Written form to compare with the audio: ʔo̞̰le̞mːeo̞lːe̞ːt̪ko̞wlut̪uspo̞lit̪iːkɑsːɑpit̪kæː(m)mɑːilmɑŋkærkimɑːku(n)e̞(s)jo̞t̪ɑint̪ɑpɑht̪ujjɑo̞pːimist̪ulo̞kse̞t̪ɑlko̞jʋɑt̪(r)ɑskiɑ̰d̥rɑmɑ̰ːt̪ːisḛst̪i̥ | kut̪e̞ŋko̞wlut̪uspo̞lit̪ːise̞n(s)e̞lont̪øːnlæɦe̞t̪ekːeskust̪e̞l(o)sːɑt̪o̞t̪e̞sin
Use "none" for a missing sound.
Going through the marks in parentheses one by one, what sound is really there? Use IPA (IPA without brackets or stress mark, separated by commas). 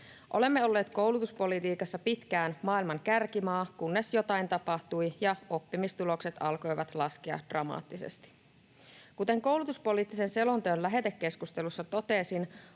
n, nː, s, l, s, u